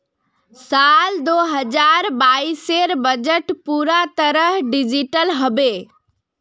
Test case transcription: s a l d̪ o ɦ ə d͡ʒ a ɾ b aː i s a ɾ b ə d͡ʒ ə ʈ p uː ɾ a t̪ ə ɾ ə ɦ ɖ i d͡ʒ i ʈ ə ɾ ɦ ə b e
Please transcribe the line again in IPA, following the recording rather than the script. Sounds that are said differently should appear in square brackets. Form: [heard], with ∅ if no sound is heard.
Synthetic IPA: s a l d̪ o ɦ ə d͡ʒ a ɾ b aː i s [e] ɾ b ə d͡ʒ ə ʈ p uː ɾ a t̪ ə ɾ ə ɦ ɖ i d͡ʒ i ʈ ə [l] ɦ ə b e